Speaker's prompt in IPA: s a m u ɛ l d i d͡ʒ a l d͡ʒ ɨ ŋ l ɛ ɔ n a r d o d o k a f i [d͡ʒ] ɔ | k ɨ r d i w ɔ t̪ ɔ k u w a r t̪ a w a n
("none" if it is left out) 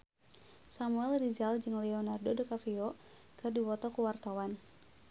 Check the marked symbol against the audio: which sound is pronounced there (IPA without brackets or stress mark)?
none